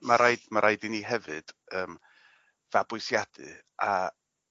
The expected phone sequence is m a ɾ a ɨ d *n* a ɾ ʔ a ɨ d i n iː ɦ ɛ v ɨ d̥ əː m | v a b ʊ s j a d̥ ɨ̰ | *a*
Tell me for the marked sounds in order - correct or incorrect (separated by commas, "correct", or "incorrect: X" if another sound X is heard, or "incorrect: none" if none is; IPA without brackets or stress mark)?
incorrect: m, correct